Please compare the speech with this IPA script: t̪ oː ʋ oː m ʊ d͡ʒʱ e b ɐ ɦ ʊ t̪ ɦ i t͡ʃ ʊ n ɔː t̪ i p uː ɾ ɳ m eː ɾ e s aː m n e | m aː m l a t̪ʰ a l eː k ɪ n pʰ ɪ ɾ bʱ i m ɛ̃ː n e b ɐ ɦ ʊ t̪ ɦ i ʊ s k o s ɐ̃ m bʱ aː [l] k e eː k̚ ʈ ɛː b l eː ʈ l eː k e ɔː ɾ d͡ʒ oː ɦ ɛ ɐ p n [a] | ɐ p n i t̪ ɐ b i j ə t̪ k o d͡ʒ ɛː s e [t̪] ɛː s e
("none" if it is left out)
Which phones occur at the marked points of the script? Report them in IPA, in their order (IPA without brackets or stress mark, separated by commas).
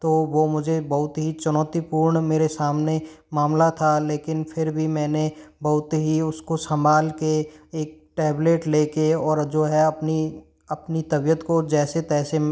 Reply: l, i, t̪